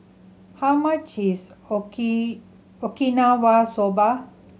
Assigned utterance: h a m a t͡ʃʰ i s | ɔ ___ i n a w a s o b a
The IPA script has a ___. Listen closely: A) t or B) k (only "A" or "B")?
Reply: B